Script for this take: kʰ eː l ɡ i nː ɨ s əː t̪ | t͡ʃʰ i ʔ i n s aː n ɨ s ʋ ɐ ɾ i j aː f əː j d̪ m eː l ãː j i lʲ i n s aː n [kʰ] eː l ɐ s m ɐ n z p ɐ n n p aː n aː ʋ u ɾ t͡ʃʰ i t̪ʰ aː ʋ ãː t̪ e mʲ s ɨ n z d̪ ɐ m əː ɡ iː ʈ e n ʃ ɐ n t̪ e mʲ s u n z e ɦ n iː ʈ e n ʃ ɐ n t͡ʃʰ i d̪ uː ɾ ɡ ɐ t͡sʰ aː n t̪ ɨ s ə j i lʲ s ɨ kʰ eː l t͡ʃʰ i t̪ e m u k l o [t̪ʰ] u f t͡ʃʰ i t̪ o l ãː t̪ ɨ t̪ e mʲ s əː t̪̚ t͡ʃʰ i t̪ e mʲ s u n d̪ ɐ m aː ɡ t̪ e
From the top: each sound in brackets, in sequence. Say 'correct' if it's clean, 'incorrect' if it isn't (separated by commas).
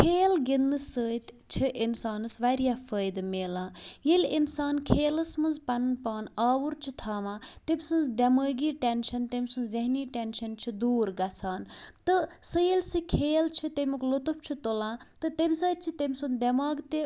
correct, incorrect